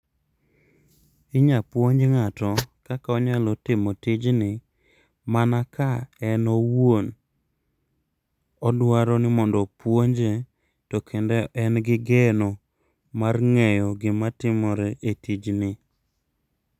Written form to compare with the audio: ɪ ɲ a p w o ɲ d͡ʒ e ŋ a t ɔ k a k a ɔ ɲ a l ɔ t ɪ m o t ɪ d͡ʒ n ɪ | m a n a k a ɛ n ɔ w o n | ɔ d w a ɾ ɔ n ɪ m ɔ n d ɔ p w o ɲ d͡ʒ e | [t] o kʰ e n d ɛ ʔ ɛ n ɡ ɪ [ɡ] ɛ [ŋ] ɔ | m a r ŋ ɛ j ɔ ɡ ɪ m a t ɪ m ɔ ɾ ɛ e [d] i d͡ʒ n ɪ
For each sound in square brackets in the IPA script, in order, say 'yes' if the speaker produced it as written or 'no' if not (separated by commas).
yes, yes, no, no